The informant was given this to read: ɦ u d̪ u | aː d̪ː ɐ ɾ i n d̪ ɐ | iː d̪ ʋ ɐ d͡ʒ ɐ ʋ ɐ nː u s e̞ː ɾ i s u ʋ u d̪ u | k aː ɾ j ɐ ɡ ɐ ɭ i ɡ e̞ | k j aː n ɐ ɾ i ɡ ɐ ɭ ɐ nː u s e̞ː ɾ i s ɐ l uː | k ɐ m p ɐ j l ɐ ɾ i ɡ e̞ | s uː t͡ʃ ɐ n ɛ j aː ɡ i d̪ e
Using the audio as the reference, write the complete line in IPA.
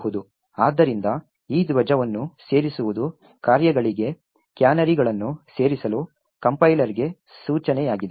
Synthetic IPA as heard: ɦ u d̪ u | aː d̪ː ɐ ɾ i n d̪ ɐ | iː d̪ ʋ ɐ d͡ʒ ɐ ʋ ɐ nː u s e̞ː ɾ i s u ʋ u d̪ u | k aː ɾ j ɐ ɡ ɐ ɭ i ɡ e̞ | k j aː n ɐ ɾ i ɡ ɐ ɭ ɐ nː u s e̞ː ɾ i s ɐ l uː | k ɐ m p ɐ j l ɐ ɾ i ɡ e̞ | s uː t͡ʃ ɐ n ɛ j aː ɡ i d̪ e